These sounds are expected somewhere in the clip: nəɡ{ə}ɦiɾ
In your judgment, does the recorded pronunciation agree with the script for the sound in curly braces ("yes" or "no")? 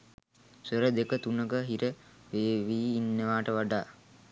yes